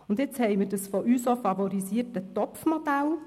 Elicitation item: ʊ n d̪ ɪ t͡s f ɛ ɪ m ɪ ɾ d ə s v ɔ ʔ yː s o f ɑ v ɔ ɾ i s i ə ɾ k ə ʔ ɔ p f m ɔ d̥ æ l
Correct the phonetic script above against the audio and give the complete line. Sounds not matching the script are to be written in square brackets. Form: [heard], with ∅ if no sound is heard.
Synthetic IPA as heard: ʊ n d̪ ɪ t͡s [h] ɛ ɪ m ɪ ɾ d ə s [f] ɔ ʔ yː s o f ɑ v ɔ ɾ i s i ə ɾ [t] ə [t] ɔ p f m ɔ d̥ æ l